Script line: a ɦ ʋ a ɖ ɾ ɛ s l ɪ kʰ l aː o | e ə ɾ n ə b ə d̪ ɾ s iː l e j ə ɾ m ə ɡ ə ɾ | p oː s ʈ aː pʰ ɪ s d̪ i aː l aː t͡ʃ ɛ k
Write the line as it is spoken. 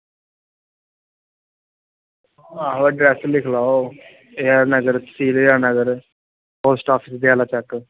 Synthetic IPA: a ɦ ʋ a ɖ ɾ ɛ s l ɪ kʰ l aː o | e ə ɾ n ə ɡ ə ɾ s iː l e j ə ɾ n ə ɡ ə ɾ | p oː s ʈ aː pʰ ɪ s d̪ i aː l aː t͡ʃ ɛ k